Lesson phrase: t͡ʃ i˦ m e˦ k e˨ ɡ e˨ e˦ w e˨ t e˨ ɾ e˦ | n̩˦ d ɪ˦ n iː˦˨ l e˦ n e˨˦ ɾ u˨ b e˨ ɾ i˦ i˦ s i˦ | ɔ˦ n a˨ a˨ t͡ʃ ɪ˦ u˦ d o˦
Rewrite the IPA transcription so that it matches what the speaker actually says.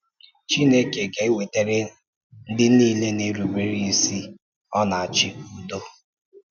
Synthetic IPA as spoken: t͡ʃ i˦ n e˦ k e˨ ɡ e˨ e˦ w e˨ t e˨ ɾ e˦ | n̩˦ d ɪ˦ n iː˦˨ l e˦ n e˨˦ ɾ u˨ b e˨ ɾ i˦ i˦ s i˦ | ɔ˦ n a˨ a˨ t͡ʃ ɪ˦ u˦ d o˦